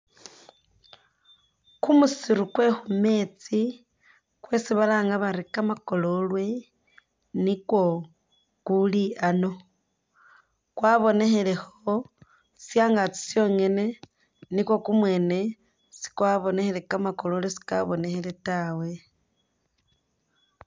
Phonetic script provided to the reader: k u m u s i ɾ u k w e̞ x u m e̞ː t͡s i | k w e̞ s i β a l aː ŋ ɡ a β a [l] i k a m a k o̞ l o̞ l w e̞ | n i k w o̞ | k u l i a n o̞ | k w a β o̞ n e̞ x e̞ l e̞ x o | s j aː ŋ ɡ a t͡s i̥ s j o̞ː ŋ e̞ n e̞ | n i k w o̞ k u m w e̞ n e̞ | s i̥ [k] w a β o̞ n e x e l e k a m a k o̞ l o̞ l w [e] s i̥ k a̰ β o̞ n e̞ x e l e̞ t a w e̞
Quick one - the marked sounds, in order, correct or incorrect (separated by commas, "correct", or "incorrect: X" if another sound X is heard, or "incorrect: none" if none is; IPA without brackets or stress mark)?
incorrect: ɾ, correct, correct